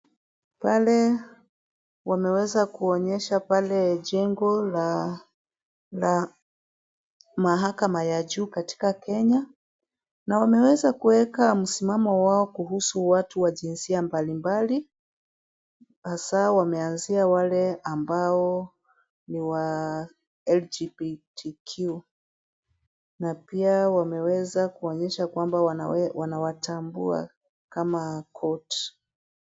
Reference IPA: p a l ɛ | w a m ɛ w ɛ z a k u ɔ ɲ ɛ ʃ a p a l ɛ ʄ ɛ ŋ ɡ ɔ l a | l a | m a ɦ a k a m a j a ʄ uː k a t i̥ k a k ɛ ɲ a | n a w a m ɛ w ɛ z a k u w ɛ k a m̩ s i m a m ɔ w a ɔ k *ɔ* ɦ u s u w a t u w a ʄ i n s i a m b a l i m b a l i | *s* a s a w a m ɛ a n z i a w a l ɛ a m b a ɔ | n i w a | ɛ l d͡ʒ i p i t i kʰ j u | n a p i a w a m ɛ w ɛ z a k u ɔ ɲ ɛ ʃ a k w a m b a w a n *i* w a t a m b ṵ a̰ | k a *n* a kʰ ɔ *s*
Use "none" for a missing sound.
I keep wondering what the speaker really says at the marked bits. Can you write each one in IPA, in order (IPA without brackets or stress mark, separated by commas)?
u, h, a, m, t